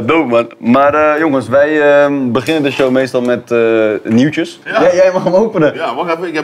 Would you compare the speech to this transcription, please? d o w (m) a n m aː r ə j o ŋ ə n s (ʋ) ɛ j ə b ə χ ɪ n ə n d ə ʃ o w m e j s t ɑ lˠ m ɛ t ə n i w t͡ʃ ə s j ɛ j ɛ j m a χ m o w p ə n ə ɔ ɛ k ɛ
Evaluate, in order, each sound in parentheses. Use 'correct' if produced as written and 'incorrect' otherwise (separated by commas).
correct, correct